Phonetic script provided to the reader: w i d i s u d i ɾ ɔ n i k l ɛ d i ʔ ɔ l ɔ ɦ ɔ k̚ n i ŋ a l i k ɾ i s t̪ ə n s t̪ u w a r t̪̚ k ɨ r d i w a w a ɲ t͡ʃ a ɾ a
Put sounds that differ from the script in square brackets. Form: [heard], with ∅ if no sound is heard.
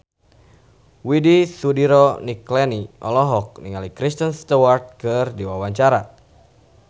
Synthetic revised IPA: w i d i s u d i ɾ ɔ n i k l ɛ [n] i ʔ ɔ l ɔ ɦ ɔ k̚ n i ŋ a l i k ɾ i s t̪ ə n s t̪ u w a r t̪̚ k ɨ r d i w a w a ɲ t͡ʃ a ɾ a